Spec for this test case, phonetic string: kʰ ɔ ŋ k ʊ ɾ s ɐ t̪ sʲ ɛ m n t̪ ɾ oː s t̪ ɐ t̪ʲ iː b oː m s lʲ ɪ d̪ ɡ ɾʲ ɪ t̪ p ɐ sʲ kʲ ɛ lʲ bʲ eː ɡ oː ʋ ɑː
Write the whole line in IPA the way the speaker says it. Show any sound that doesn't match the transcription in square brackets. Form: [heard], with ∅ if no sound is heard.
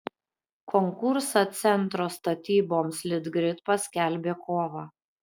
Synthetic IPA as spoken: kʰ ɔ ŋ k ʊ ɾ s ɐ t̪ sʲ ɛ [∅] n t̪ ɾ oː s t̪ ɐ t̪ʲ iː b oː m s lʲ ɪ d̪ ɡ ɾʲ ɪ t̪ p ɐ sʲ kʲ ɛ lʲ bʲ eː [k] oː ʋ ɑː